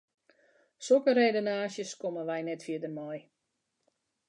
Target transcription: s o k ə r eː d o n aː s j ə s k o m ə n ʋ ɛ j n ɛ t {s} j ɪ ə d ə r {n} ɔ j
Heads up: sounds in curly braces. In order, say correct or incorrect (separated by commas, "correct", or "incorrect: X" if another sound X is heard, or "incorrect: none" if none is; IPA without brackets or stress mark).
incorrect: f, incorrect: m